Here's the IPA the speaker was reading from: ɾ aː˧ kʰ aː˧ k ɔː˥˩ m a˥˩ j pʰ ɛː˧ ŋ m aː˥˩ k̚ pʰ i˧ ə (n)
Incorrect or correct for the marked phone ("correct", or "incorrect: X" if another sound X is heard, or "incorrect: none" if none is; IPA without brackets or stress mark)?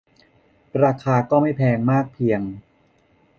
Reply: incorrect: ŋ